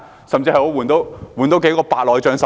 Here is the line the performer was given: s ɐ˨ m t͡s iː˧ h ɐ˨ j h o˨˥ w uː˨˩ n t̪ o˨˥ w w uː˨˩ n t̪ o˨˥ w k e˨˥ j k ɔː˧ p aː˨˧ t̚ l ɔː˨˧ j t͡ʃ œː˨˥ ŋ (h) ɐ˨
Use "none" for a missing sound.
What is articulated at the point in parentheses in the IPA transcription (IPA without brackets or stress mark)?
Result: s